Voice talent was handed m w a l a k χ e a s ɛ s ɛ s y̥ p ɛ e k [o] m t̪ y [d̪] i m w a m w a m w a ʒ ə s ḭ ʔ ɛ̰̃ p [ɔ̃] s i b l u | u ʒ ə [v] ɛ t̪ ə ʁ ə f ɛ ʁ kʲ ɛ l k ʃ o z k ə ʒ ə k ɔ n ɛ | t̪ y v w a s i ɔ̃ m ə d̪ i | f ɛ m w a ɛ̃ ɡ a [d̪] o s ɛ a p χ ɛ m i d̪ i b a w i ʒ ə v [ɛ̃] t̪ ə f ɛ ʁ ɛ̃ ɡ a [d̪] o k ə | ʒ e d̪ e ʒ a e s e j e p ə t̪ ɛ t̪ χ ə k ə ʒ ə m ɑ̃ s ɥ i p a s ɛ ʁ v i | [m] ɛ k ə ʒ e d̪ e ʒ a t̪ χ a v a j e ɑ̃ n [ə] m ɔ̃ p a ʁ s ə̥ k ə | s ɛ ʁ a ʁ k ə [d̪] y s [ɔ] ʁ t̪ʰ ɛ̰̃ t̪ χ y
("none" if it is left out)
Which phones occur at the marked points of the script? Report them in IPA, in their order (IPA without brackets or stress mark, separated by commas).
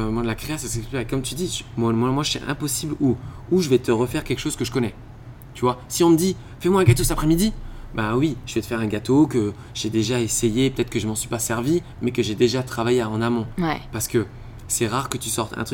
ɔ, d̪, ɔ, v, t̪, ɛ, t̪, m, a, t̪, ɔ